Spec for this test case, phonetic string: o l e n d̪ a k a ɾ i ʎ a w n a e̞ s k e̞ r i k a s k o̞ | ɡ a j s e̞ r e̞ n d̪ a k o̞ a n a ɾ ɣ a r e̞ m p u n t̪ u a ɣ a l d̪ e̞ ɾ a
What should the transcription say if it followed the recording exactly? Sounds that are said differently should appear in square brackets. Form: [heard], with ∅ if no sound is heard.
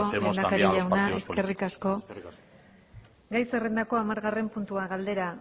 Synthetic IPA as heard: o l e n d̪ a k a ɾ i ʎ a w n a e̞ s k e̞ r i k a s k o̞ | ɡ a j s e̞ r e̞ n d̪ a k o̞ a [m] a ɾ ɣ a r e̞ m p u n t̪ u a ɣ a l d̪ e̞ ɾ a